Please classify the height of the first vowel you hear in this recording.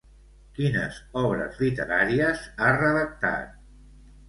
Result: high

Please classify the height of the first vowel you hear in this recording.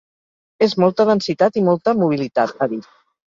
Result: mid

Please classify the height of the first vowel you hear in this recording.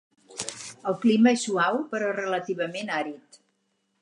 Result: mid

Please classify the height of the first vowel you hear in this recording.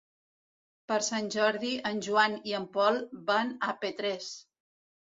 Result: mid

